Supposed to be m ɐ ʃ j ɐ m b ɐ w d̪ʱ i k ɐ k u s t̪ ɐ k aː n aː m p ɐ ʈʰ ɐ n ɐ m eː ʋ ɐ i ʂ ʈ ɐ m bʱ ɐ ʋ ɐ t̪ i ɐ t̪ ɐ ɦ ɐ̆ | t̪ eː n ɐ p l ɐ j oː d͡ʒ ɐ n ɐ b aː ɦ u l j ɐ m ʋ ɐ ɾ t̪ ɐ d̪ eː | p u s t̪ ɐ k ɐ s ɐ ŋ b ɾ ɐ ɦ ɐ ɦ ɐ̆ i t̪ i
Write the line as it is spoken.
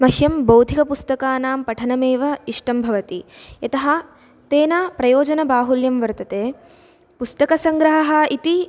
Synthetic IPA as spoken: m ɐ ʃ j ɐ m b ɐ w d̪ʱ i k ɐ p u s t̪ ɐ k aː n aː m p ɐ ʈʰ ɐ n ɐ m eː ʋ ɐ i ʂ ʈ ɐ m bʱ ɐ ʋ ɐ t̪ i ɐ t̪ ɐ ɦ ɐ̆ | t̪ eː n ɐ p ɾ ɐ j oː d͡ʒ ɐ n ɐ b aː ɦ u l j ɐ m ʋ ɐ ɾ t̪ ɐ t̪ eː | p u s t̪ ɐ k ɐ s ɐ ŋ ɡ ɾ ɐ ɦ ɐ ɦ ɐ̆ i t̪ i